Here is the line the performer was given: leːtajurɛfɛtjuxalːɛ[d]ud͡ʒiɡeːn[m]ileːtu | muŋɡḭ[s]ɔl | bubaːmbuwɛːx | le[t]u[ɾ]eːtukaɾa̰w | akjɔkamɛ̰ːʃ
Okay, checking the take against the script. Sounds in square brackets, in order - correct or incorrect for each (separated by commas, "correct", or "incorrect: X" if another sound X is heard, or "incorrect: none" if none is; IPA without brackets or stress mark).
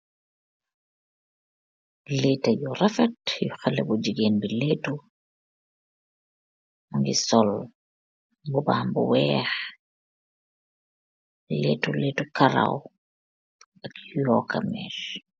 incorrect: b, incorrect: b, correct, correct, incorrect: l